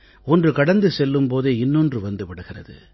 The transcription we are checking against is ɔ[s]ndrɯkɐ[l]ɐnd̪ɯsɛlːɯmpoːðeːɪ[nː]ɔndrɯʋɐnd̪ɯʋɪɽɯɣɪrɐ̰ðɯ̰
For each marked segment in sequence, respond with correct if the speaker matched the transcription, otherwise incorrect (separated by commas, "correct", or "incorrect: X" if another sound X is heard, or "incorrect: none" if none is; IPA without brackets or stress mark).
incorrect: none, incorrect: ɽ, correct